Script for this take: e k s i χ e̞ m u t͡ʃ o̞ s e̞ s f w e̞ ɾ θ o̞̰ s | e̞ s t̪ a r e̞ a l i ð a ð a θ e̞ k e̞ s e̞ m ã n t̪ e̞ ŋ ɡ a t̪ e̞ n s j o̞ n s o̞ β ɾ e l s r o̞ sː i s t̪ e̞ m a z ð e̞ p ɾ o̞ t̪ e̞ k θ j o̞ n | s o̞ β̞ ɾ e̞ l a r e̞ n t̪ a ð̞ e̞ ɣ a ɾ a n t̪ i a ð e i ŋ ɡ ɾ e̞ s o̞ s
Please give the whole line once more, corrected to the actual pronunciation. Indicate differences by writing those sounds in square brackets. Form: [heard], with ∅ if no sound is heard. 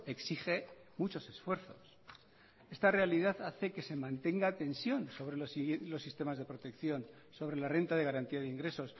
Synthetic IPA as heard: e k s i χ e̞ m u t͡ʃ o̞ s e̞ s f w e̞ ɾ θ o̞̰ s | e̞ s t̪ a r e̞ a l i ð a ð a θ e̞ k e̞ s e̞ m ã n t̪ e̞ ŋ ɡ a t̪ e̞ n s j o̞ n s o̞ β ɾ e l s [l] o̞ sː i s t̪ e̞ m a z ð e̞ p ɾ o̞ t̪ e̞ k θ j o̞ n | s o̞ β̞ ɾ e̞ l a r e̞ n t̪ a ð̞ e̞ ɣ a ɾ a n t̪ i a ð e i ŋ ɡ ɾ e̞ s o̞ s